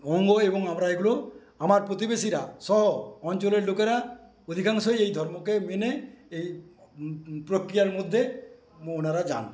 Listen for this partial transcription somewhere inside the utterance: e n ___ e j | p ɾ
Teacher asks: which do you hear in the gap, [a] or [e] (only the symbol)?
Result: e